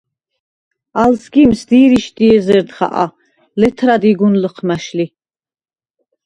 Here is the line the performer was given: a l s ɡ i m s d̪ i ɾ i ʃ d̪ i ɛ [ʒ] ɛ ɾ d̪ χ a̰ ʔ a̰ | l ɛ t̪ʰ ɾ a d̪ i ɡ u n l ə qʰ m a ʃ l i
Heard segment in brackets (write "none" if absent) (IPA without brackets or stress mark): z